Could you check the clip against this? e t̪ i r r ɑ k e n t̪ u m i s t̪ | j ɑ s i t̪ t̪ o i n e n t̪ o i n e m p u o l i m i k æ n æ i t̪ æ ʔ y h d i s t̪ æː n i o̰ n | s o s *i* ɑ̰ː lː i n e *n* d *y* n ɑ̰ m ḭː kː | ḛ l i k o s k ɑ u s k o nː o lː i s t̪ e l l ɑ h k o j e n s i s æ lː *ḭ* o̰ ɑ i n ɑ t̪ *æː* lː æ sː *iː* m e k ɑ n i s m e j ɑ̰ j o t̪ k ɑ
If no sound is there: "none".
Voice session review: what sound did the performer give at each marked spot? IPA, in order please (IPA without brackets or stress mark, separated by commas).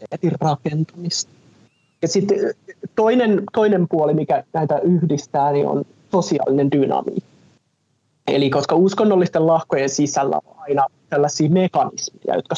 i, n, y, æ̰, æ, iː